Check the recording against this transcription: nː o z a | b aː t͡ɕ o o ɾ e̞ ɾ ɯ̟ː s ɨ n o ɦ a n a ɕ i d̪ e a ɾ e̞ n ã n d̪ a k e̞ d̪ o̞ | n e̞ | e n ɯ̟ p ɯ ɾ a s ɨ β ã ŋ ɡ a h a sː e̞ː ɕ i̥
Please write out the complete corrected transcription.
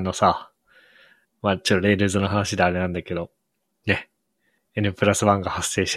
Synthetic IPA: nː o s a | m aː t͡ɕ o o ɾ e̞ ɾ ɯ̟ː z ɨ n o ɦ a n a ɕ i d̪ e a ɾ e̞ n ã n d̪ a k e̞ d̪ o̞ | n e̞ | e n ɯ̟ p ɯ ɾ a s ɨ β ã ŋ ɡ a h a sː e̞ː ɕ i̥